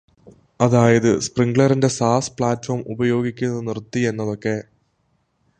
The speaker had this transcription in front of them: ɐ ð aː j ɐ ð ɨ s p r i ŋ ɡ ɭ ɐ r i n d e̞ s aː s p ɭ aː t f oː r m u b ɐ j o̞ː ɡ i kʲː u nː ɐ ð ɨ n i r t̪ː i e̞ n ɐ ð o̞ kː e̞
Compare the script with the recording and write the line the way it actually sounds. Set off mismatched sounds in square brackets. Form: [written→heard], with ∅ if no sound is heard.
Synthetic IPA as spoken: ɐ ð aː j ɐ ð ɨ s p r i ŋ ɡ ɭ ɐ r i n d e̞ s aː s p ɭ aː t f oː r m u b ɐ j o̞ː ɡ i kʲː u nː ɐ ð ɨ n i r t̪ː i e̞ [n→nː] ɐ ð o̞ kː e̞